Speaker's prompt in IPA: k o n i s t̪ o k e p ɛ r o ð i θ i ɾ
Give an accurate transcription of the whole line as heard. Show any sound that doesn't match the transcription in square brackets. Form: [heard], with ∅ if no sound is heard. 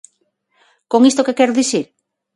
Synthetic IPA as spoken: k o [ŋ] i s t̪ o k e [k] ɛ [ɾ] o ð i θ i ɾ